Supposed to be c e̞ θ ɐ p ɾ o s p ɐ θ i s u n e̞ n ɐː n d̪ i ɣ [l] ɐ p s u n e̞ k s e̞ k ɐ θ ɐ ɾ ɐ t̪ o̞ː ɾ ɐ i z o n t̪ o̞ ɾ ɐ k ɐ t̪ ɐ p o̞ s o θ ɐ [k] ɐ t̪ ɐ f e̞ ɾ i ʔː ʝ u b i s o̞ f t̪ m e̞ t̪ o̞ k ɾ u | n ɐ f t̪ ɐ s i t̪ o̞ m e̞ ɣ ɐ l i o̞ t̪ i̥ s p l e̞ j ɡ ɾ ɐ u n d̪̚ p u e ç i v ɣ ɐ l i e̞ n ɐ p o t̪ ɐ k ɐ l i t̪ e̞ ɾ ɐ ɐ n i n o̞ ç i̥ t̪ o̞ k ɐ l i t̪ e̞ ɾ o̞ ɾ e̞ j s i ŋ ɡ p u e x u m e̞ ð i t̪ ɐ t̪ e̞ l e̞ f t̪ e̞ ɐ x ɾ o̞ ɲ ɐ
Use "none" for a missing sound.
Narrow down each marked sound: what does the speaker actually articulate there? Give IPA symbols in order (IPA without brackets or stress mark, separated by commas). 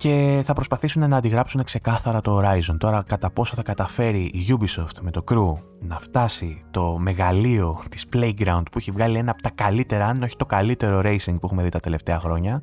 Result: ɾ, k